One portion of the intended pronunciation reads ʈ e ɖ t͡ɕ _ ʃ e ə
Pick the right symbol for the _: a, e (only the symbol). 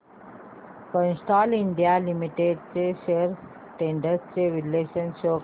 e